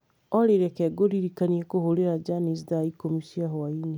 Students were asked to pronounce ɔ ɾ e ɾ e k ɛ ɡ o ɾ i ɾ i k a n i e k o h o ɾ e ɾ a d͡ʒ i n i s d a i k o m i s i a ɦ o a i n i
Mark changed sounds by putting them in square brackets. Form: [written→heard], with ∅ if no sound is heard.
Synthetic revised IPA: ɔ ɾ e ɾ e k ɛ ɡ o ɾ i ɾ i k a n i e k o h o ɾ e ɾ a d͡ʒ [i→a] n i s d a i k o m i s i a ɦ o a i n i